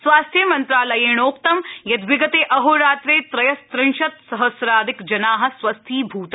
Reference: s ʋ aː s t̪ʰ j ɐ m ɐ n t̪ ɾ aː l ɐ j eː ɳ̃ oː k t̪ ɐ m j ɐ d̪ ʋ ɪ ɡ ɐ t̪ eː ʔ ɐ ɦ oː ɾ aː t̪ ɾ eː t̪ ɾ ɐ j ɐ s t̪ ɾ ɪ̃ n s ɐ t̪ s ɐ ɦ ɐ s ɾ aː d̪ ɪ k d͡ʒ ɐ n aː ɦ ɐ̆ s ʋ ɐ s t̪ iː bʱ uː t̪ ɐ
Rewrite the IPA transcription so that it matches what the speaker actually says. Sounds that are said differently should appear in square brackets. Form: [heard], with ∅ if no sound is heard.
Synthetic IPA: s ʋ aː s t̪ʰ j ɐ m ɐ n t̪ ɾ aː l ɐ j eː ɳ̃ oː k t̪ ɐ m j ɐ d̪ ʋ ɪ ɡ ɐ t̪ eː ʔ ɐ ɦ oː ɾ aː t̪ ɾ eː t̪ ɾ ɐ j ɐ s t̪ ɾ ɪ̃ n [ʃ] ɐ t̪ s ɐ ɦ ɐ s ɾ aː d̪ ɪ k d͡ʒ ɐ n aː ɦ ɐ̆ s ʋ ɐ s [t̪ʰ] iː bʱ uː t̪ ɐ